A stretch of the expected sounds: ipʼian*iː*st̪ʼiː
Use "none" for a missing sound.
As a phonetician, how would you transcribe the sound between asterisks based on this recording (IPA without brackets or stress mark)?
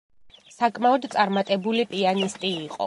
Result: i